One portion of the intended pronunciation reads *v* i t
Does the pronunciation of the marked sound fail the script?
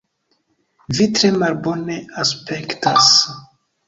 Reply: no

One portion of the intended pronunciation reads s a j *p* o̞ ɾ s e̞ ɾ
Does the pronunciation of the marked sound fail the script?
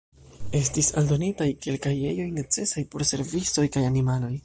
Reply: no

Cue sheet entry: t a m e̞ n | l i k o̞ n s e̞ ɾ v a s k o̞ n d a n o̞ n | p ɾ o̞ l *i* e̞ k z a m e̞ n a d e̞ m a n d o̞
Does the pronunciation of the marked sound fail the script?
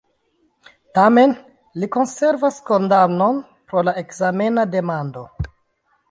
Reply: yes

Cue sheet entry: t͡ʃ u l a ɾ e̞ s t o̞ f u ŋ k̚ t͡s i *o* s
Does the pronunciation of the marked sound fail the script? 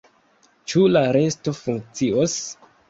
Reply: no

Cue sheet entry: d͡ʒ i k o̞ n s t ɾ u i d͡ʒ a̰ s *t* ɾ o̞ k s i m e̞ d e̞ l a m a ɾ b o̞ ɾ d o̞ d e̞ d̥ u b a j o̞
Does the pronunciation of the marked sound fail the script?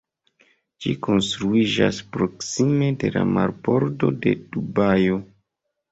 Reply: yes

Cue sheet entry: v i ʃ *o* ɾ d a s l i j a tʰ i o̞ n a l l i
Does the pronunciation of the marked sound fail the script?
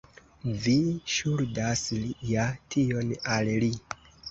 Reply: yes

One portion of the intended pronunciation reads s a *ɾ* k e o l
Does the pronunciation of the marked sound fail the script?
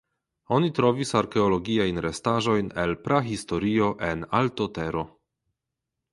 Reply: no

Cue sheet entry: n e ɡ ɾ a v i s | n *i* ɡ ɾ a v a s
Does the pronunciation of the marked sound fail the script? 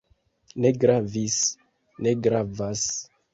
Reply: yes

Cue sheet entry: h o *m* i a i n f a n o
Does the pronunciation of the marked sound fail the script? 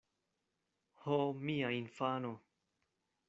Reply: no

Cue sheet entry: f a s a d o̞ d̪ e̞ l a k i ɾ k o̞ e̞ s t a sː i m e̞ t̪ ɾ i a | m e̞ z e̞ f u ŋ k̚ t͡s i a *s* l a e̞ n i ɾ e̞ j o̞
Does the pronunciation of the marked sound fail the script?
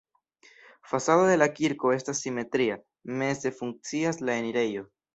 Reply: no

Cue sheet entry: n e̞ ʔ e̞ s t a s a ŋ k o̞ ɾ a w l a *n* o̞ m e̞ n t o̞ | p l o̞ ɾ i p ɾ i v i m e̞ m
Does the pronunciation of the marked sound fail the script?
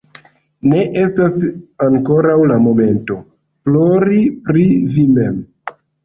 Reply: yes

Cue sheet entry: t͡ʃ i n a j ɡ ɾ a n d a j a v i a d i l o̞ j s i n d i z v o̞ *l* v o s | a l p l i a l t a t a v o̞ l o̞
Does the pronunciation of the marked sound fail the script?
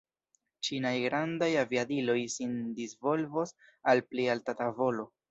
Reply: no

